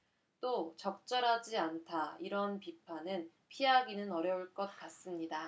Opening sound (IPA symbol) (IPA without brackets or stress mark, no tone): t͈